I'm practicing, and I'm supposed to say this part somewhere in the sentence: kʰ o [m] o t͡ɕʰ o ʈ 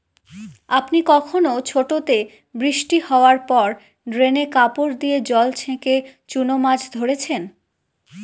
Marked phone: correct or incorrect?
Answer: incorrect